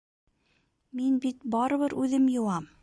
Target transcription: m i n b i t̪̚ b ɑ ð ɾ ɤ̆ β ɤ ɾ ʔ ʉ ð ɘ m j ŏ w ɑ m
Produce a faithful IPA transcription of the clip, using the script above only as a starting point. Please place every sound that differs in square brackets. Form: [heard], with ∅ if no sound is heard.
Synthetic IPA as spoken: m i n b i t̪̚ b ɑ [∅] ɾ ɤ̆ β ɤ ɾ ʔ ʉ ð ɘ m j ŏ w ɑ m